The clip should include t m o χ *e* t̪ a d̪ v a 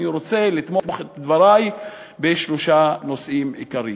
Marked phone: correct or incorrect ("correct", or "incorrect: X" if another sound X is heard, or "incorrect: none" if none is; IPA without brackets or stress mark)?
correct